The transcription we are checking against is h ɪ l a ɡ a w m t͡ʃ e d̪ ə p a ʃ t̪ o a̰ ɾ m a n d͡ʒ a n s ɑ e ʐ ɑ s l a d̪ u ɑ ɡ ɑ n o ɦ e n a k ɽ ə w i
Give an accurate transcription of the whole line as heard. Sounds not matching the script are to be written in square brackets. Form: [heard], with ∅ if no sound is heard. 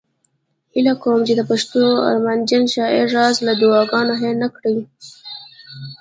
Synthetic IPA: h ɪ l a [k] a w m t͡ʃ e d̪ ə p a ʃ t̪ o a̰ ɾ m a n d͡ʒ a n [ʃ] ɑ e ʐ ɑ [z] l a d̪ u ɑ ɡ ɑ n o ɦ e n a k ɽ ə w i